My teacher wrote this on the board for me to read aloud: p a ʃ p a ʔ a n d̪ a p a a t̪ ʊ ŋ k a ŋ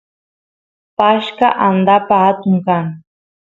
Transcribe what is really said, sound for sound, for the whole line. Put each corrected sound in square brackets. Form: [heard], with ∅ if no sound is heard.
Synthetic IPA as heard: p a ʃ [k] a ʔ a n d̪ a p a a t̪ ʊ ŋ k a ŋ